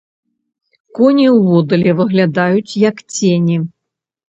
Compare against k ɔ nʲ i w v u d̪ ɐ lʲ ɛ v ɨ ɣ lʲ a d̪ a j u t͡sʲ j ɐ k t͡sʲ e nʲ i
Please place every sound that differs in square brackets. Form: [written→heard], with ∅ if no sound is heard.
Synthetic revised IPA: k ɔ nʲ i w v [u→ɔ] d̪ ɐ lʲ ɛ v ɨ ɣ lʲ a d̪ a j u t͡sʲ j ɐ k t͡sʲ e nʲ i